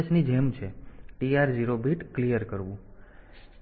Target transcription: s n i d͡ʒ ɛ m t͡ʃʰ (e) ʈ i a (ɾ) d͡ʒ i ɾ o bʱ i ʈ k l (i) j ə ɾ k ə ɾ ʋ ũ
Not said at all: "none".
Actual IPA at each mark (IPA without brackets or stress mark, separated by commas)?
e, ɾ, i